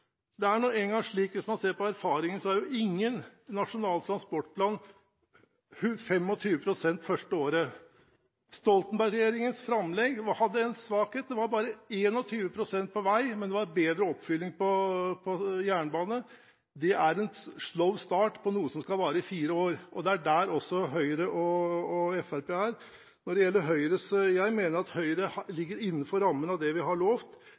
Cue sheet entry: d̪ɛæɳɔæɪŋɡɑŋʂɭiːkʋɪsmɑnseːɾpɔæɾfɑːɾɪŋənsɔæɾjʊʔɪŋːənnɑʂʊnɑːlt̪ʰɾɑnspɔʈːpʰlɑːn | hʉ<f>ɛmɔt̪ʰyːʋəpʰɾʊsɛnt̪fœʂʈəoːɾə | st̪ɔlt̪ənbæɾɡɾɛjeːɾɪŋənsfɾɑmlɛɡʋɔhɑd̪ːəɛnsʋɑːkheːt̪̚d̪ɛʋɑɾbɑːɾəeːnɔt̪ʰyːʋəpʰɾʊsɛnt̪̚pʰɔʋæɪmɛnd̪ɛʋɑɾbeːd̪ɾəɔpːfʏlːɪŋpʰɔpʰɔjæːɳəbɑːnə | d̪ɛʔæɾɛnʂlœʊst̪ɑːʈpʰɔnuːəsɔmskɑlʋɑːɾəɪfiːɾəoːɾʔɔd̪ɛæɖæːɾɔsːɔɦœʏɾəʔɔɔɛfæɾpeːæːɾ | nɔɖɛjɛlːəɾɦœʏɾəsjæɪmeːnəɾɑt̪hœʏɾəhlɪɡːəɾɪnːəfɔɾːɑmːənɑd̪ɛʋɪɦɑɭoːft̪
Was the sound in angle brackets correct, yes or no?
yes